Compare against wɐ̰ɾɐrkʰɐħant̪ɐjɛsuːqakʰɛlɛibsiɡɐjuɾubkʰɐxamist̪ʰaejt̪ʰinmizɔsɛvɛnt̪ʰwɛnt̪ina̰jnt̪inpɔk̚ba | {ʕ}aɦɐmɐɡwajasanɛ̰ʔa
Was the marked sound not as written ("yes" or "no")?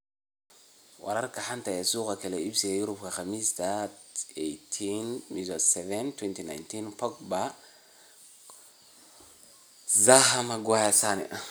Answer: yes